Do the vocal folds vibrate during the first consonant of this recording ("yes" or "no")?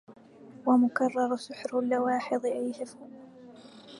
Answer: yes